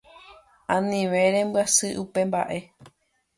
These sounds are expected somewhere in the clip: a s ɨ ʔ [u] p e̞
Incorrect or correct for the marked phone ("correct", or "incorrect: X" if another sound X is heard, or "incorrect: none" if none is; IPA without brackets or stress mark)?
correct